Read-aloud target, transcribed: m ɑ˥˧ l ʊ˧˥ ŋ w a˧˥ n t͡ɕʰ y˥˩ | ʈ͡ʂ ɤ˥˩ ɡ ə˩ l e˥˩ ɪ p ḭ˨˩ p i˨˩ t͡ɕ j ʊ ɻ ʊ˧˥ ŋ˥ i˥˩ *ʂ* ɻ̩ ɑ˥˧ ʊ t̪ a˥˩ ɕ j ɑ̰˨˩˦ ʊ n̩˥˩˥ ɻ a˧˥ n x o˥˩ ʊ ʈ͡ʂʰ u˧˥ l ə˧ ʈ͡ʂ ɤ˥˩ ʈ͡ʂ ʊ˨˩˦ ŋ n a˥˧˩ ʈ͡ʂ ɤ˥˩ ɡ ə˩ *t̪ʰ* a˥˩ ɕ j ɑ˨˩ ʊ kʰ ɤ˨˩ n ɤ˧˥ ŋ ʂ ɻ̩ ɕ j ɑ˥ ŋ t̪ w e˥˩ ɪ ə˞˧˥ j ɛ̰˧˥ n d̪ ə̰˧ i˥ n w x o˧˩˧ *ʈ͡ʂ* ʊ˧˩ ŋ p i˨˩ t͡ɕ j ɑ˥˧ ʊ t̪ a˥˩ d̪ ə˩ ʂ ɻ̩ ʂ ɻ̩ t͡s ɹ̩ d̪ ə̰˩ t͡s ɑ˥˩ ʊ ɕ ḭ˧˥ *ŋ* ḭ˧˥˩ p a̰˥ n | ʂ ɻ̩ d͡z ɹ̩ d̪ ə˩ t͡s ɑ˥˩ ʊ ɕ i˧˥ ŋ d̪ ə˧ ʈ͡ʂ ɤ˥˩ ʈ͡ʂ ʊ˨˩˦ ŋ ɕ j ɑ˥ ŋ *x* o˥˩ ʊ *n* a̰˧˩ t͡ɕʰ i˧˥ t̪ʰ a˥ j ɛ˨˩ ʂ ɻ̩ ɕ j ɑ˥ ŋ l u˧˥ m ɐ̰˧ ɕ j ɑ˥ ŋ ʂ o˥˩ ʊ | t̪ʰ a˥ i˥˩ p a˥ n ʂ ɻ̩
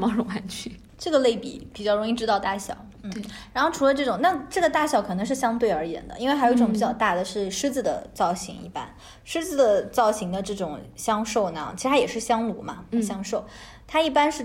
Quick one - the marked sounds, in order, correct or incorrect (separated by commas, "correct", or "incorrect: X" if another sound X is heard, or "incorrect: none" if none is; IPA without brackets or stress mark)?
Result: incorrect: ʈ͡ʂ, incorrect: t̪, correct, correct, incorrect: ʂ, correct